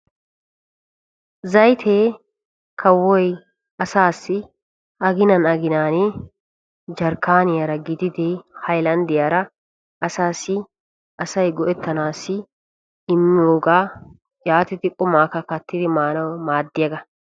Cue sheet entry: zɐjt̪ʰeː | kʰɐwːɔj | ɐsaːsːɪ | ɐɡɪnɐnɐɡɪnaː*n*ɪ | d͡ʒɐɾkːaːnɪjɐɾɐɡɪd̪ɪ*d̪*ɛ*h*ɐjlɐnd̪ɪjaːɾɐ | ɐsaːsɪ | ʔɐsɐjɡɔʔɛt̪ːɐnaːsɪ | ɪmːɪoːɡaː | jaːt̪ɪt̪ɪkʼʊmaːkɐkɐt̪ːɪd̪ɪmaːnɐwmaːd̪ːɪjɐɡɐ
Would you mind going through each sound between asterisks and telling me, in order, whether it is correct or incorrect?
correct, correct, correct

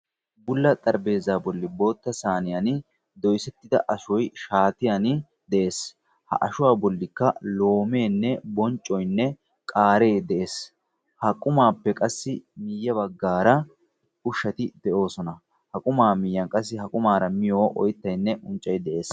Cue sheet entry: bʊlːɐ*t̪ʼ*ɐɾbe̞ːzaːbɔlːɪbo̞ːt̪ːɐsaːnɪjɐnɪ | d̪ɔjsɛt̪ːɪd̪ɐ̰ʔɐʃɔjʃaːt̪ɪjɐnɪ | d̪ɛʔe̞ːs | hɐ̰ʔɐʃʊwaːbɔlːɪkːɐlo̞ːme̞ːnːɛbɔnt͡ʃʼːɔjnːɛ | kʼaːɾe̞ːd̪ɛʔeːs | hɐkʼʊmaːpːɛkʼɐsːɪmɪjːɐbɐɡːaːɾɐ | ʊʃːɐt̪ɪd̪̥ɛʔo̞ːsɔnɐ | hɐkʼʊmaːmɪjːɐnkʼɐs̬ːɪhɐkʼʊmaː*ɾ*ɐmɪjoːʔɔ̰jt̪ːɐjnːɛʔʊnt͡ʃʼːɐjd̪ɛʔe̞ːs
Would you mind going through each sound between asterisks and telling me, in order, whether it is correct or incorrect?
correct, correct

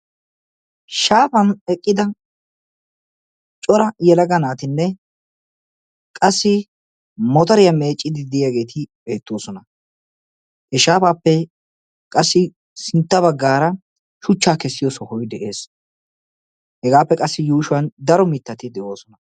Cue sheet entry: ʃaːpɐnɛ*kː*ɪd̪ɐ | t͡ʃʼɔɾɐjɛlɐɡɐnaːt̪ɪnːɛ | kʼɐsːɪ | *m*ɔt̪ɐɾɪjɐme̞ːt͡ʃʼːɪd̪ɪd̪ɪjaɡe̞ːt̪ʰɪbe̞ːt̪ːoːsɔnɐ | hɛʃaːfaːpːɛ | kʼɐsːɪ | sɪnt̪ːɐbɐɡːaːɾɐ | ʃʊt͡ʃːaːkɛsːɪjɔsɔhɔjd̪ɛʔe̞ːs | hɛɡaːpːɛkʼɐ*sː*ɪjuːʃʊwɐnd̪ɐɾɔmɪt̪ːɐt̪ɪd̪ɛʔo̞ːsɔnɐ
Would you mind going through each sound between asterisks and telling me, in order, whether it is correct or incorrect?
incorrect: kʼː, correct, correct

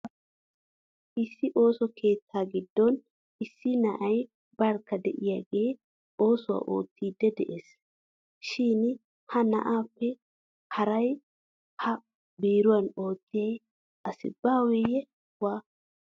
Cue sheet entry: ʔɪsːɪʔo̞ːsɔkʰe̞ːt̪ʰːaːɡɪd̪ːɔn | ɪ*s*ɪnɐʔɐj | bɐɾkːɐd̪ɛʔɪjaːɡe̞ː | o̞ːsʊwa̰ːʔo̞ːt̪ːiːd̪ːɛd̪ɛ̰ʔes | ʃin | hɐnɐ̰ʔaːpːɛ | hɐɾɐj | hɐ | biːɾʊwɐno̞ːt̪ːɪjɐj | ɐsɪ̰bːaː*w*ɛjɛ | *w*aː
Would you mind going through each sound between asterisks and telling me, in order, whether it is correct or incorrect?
incorrect: sː, correct, correct

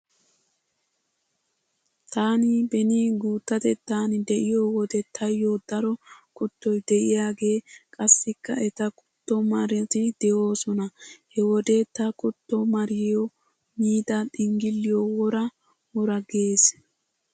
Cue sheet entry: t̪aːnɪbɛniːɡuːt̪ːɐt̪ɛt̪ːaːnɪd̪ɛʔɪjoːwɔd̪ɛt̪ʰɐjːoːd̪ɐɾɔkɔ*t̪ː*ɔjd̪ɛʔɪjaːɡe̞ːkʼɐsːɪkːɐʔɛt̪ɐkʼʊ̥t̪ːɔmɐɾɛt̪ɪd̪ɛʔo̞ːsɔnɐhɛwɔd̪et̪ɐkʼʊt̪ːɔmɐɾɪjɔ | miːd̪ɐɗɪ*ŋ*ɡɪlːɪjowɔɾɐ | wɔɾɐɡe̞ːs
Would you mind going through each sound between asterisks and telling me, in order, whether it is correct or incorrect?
correct, correct

